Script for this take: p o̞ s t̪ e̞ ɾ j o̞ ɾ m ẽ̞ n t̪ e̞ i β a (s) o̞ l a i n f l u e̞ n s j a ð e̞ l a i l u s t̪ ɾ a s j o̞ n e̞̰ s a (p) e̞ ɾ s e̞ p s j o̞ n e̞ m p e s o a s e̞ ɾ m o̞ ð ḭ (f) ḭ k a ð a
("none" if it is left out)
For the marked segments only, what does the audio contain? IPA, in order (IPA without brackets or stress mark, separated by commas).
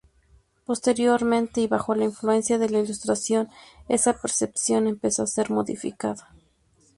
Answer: x, p, f